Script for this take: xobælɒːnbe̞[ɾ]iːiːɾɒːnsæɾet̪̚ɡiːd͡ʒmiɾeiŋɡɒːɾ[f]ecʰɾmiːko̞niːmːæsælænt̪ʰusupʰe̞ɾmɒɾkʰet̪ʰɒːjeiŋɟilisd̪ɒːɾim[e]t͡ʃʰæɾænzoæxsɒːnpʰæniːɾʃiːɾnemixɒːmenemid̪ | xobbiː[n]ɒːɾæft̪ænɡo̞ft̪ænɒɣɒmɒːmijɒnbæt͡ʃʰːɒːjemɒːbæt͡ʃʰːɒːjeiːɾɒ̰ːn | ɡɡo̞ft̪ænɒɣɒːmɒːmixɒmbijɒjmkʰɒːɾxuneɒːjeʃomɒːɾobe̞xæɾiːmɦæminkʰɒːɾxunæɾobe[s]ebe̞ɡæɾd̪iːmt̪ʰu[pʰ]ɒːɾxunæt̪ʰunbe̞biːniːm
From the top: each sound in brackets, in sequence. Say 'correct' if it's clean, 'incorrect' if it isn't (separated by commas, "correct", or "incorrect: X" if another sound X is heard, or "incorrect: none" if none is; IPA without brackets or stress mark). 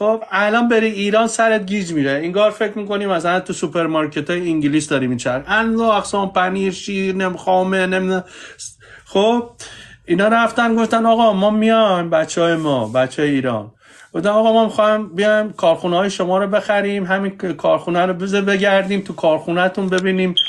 correct, correct, incorrect: i, correct, incorrect: z, incorrect: kʰ